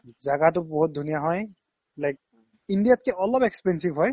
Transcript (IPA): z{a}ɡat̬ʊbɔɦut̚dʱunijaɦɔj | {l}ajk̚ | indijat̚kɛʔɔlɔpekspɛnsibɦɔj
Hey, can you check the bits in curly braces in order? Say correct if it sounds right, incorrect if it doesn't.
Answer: correct, correct

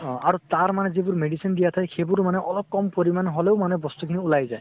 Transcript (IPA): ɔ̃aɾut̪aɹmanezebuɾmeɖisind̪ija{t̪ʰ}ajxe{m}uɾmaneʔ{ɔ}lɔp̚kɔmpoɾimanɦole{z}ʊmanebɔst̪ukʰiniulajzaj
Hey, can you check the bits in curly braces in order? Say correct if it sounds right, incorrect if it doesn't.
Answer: correct, incorrect: b, correct, incorrect: none

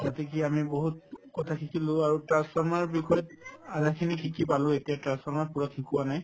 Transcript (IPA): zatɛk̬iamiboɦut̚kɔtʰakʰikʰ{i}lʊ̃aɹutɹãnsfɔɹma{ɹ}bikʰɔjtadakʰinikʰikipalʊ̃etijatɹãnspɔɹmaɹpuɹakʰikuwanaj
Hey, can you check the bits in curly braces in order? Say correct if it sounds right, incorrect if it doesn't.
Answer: correct, correct

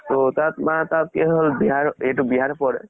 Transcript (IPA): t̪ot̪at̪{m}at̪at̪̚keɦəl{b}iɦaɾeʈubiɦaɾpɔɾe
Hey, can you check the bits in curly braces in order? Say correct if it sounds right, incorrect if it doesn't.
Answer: correct, correct

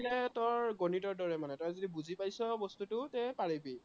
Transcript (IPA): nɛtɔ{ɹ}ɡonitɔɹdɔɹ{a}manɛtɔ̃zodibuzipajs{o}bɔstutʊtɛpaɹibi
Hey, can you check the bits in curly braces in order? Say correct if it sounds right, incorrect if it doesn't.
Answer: correct, incorrect: ɛ, incorrect: ɔ

